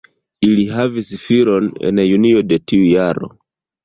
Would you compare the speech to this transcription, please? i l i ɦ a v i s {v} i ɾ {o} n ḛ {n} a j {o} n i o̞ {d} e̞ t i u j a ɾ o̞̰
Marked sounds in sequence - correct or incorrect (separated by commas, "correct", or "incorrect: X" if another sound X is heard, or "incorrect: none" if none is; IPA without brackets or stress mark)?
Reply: incorrect: f, correct, correct, incorrect: u, correct